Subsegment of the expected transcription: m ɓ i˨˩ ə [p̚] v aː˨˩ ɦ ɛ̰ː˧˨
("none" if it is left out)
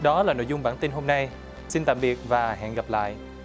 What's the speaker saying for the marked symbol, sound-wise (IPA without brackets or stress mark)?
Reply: t̚